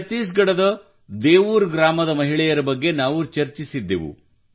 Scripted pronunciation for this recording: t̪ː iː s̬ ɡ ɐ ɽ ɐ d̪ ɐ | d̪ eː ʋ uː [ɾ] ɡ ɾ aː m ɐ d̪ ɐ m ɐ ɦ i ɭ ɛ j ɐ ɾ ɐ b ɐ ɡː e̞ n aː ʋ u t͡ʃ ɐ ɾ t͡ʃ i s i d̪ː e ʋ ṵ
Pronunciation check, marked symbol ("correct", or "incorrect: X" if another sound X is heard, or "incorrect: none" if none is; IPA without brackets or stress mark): correct